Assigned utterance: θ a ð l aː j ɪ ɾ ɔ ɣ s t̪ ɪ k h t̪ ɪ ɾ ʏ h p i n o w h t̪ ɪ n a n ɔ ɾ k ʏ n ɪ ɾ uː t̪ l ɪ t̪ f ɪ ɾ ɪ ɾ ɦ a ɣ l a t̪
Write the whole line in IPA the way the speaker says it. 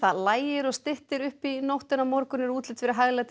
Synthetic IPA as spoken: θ a ð l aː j ɪ ɾ ɔ ɣ s t̪ ɪ h t̪ ɪ ɾ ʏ h p i n o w h t̪ ɪ n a m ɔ ɾ k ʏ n ɪ ɾ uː t̪ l ɪ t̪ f ɪ ɾ ɪ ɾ ɦ a ɣ l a t̪